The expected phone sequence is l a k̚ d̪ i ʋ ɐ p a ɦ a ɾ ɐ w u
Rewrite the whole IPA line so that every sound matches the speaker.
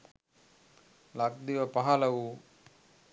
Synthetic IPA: l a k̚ d̪ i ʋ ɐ p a ɦ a l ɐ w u